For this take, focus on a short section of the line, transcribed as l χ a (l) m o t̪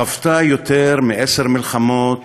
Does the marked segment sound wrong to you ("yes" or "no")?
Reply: yes